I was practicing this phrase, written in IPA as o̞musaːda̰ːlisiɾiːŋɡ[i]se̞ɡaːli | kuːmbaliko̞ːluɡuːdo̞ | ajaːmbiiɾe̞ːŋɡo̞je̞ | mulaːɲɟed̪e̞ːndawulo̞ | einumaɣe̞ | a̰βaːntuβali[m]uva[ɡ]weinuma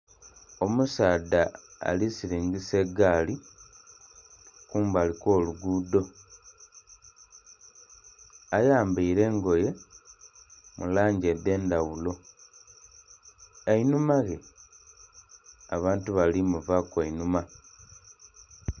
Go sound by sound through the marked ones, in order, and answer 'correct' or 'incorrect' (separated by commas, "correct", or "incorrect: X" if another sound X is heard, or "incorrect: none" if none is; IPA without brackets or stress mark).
correct, correct, incorrect: k